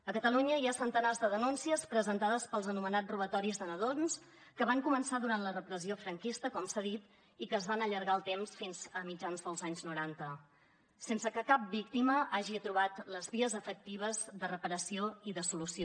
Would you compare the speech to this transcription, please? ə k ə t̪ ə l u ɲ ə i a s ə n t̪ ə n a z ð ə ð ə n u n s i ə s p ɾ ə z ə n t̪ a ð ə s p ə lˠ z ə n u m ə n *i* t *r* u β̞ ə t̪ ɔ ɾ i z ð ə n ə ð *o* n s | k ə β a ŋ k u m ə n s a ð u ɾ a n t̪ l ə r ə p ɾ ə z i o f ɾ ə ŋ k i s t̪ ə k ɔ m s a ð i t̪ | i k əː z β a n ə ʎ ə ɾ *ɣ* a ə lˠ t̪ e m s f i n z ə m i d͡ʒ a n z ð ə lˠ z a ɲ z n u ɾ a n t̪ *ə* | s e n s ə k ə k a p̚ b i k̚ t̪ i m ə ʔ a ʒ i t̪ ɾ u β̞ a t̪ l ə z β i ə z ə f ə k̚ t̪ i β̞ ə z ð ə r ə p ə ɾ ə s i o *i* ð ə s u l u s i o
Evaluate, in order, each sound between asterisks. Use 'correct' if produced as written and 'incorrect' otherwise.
incorrect: a, correct, correct, correct, correct, correct

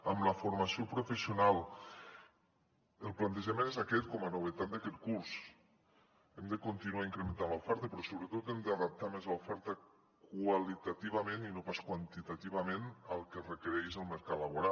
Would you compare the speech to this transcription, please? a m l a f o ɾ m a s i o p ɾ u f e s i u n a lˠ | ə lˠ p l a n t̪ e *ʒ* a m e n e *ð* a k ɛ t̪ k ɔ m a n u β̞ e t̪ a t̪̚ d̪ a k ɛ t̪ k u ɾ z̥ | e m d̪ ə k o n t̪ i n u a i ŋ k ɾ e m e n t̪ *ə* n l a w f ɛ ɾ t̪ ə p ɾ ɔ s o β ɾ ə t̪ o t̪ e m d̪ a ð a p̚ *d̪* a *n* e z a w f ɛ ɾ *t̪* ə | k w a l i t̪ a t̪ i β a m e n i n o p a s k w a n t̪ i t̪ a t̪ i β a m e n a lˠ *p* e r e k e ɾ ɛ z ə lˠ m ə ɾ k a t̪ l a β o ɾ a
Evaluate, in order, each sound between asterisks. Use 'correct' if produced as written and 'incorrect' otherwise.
correct, incorrect: z, incorrect: a, incorrect: t̪, incorrect: m, correct, incorrect: k

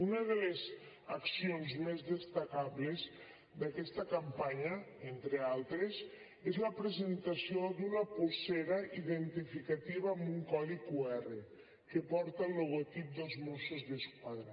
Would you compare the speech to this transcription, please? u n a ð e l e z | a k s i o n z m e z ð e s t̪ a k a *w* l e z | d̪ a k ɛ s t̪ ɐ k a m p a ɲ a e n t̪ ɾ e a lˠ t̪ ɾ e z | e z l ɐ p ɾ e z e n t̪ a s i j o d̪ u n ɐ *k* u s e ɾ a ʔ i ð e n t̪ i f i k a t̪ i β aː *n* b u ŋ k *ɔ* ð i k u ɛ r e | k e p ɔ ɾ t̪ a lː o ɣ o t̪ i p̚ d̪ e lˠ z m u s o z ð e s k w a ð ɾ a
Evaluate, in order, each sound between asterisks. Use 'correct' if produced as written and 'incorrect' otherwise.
incorrect: β, incorrect: p, incorrect: m, correct

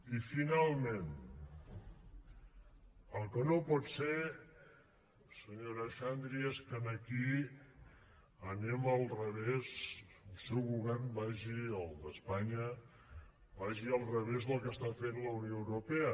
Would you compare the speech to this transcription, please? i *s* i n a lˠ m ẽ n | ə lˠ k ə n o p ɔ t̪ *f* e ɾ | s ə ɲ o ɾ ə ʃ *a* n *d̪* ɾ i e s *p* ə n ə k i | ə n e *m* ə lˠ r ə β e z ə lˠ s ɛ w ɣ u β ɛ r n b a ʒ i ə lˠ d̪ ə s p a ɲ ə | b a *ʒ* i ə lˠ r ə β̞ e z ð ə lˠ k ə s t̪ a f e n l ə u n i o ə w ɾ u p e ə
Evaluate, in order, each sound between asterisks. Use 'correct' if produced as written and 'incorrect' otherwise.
incorrect: f, incorrect: s, correct, correct, incorrect: k, correct, correct

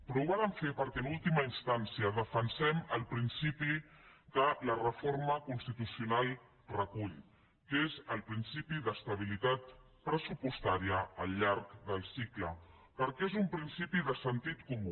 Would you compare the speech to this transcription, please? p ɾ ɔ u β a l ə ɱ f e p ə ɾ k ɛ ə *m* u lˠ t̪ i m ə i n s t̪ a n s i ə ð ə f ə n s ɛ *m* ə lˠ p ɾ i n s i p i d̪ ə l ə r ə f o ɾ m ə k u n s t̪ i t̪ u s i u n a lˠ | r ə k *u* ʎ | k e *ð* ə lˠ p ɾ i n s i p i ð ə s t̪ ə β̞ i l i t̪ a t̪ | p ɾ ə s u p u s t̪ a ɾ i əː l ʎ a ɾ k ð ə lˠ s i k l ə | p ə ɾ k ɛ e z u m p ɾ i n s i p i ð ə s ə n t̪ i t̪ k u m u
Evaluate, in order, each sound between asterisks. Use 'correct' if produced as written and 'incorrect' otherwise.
incorrect: n, correct, correct, incorrect: z

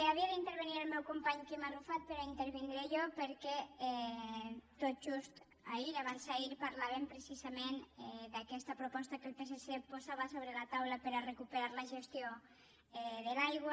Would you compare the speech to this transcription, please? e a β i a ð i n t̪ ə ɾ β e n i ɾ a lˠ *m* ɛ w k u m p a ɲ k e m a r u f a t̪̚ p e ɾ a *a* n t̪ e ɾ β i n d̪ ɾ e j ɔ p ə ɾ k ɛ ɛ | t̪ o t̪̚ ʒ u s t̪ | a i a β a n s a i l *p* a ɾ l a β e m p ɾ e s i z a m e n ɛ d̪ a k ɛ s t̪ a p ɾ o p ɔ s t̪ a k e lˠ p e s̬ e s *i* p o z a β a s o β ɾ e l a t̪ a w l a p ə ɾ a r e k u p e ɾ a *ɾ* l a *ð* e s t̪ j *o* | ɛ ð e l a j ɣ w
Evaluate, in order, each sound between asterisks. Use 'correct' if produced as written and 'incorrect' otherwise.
correct, incorrect: i, correct, incorrect: e, correct, incorrect: ʒ, correct

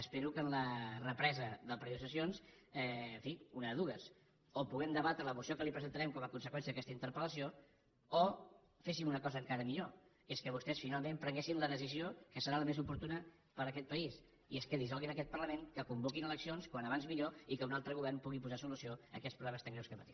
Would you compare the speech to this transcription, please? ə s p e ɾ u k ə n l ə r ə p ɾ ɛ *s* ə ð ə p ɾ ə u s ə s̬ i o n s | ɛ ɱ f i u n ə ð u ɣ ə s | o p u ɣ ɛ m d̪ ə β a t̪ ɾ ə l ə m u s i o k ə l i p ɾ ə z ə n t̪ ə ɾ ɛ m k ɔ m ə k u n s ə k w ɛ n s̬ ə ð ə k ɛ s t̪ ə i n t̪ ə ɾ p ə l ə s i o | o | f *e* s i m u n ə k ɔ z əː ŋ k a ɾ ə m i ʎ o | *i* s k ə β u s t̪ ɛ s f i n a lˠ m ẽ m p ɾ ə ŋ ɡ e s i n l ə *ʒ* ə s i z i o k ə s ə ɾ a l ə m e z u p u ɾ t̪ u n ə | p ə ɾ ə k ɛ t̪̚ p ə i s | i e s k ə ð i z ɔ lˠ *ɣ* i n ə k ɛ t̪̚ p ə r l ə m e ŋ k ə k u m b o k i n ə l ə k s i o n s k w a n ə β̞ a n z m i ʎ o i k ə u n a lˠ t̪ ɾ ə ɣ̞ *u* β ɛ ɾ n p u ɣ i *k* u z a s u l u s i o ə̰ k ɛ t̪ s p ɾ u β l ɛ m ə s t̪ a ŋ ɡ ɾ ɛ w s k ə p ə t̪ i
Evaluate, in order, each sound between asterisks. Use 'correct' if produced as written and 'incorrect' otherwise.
incorrect: z, correct, incorrect: e, incorrect: ð, correct, correct, incorrect: p

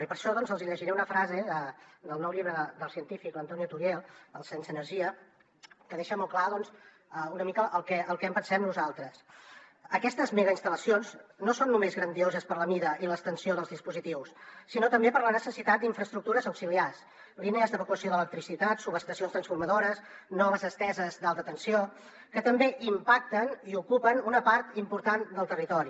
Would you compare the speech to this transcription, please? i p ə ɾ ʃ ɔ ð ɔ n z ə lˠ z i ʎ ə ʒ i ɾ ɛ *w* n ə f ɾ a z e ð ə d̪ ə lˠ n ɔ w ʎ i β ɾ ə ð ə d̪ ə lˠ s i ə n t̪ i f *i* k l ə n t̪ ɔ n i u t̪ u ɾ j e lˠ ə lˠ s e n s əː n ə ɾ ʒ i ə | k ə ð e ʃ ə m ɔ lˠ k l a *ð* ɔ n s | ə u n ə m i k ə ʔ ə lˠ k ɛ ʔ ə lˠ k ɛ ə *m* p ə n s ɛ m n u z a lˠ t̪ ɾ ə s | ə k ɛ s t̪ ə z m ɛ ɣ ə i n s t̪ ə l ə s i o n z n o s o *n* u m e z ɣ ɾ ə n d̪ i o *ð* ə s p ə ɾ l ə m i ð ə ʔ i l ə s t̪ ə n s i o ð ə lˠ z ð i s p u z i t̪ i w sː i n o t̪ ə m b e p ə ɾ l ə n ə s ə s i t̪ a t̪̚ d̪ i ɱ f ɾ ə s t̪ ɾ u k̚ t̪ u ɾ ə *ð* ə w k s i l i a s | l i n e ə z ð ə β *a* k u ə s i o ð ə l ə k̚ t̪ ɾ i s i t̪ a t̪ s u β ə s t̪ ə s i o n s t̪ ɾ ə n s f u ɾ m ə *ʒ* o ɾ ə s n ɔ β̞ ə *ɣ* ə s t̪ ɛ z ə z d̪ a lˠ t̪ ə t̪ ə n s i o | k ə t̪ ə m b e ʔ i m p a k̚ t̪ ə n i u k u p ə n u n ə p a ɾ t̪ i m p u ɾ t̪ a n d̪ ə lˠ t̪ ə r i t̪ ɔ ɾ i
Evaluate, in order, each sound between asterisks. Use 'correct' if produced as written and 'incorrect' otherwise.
incorrect: u, correct, correct, correct, incorrect: nː, incorrect: z, incorrect: z, incorrect: ə, incorrect: ð, incorrect: z

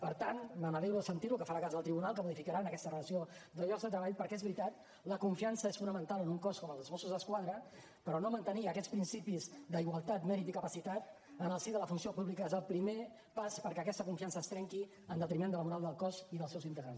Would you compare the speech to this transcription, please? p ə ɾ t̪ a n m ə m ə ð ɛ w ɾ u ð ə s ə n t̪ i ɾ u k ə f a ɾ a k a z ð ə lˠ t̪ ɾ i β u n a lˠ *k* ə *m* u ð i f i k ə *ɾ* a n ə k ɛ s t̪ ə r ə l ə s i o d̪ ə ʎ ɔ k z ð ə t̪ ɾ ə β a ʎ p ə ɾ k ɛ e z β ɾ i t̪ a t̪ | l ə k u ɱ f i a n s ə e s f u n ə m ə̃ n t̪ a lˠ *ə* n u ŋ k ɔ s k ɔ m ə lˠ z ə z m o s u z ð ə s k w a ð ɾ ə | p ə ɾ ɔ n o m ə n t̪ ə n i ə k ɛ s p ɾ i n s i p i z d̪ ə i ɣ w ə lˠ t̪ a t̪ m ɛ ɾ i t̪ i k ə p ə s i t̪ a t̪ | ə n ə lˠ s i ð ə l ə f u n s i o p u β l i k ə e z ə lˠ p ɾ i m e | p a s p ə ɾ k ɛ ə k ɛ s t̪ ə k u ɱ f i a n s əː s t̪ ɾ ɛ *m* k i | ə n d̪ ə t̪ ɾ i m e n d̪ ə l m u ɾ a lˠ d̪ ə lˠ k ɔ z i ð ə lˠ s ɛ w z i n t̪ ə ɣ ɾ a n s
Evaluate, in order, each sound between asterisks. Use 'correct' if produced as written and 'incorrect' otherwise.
correct, correct, correct, correct, incorrect: ŋ

